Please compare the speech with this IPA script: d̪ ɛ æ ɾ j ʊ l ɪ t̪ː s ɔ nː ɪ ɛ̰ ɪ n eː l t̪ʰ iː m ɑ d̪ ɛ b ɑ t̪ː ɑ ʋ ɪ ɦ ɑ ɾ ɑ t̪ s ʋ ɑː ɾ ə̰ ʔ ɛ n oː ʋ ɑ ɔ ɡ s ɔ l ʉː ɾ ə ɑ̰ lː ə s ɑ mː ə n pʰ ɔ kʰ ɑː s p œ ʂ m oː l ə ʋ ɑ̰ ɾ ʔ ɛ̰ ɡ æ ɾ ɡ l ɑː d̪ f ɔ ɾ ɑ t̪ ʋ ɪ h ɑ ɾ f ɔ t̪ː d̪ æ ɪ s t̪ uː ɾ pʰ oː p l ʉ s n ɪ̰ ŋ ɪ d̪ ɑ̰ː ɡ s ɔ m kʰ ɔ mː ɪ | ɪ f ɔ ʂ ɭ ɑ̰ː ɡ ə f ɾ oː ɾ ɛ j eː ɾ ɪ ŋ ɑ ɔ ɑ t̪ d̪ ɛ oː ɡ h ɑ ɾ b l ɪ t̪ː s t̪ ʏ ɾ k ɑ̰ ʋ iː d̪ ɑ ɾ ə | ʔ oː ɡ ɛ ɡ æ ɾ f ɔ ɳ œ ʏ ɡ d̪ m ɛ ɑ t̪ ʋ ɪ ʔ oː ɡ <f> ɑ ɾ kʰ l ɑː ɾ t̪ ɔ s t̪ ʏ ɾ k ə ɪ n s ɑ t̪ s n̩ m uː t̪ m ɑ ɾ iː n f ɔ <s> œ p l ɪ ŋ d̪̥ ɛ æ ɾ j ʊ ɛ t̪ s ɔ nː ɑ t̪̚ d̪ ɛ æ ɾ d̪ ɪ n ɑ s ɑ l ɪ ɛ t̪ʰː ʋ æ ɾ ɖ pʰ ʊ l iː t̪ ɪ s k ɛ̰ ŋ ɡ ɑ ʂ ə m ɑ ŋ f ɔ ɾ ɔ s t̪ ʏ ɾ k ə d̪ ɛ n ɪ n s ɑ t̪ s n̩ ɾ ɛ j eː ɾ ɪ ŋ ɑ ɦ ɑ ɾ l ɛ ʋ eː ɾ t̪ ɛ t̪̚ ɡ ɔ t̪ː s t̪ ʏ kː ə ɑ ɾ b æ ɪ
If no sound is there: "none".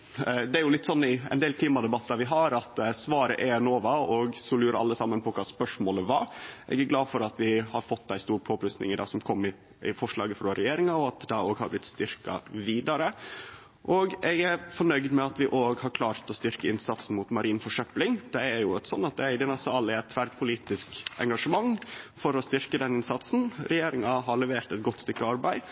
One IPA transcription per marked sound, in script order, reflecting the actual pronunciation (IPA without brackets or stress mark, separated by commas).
h, ʂ